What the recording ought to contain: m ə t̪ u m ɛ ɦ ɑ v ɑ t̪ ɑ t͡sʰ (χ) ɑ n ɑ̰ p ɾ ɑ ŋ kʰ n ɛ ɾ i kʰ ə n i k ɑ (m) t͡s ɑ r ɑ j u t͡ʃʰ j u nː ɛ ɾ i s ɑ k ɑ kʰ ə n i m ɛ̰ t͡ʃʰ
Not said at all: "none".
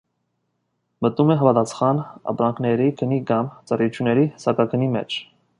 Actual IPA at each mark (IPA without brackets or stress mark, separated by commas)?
χ, m